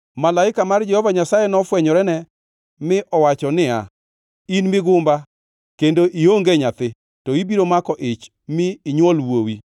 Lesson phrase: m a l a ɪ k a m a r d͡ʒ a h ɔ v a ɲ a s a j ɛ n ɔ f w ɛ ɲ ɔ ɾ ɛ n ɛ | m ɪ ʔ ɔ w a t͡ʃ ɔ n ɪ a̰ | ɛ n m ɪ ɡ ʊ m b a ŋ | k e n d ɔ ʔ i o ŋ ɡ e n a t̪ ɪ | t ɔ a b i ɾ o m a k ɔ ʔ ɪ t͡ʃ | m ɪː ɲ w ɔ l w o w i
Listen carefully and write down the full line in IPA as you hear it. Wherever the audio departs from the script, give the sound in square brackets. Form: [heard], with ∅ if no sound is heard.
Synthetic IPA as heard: m a l a ɪ k a m a r d͡ʒ [ɛ] h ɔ v a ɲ a s a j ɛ n ɔ f w ɛ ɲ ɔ ɾ ɛ n ɛ | m ɪ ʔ ɔ w a t͡ʃ ɔ n ɪ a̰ | [i] n m ɪ ɡ ʊ m b a [∅] | k e n d [o] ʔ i o ŋ ɡ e [ɲ] a t̪ ɪ | t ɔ [i] b i ɾ o m a k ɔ ʔ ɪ t͡ʃ | m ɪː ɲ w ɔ l w o w i